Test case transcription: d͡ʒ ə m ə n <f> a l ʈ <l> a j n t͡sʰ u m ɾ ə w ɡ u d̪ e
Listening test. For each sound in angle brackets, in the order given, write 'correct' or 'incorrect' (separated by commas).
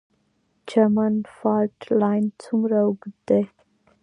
correct, correct